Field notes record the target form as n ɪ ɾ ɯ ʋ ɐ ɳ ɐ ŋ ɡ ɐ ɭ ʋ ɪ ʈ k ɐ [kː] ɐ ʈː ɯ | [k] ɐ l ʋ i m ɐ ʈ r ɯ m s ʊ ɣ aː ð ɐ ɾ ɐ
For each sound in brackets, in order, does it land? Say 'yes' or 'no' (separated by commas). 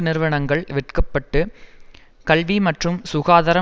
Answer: no, yes